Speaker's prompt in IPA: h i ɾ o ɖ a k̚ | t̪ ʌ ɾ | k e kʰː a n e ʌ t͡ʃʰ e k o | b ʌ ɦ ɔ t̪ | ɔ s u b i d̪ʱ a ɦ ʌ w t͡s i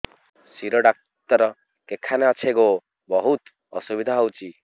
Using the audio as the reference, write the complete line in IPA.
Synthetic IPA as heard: s i ɾ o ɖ a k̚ | t̪ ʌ ɾ | k e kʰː a n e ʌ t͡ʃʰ e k o | b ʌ ɦ u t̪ | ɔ s u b i d̪ʱ a ɦ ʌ w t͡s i